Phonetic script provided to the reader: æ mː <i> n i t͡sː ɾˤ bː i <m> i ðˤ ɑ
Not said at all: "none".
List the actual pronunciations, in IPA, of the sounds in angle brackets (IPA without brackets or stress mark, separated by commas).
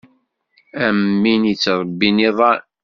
i, n